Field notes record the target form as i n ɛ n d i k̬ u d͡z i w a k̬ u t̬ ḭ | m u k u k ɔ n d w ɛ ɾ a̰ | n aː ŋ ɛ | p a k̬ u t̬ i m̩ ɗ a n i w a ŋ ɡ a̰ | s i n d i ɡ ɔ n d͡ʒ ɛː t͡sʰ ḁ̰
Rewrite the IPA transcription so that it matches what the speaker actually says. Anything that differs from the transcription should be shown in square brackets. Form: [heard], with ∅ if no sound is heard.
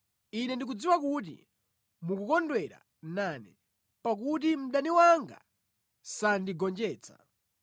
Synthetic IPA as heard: i n ɛ n d i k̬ u d͡z i w a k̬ u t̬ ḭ | m u k u k ɔ n d w ɛ ɾ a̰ | n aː [n] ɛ | p a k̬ u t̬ i m̩ ɗ a n i w a ŋ ɡ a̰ | s [a] n d i ɡ ɔ n d͡ʒ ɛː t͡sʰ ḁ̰